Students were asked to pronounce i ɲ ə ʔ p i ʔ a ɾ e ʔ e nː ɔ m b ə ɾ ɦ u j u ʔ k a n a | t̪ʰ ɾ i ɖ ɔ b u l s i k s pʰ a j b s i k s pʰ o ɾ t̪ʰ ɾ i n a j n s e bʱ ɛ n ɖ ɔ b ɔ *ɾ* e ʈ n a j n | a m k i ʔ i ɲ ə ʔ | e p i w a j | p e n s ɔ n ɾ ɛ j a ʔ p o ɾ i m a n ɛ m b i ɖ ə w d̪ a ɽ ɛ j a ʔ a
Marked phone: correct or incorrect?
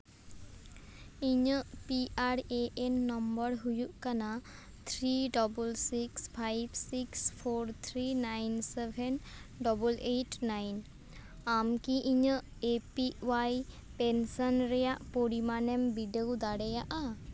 incorrect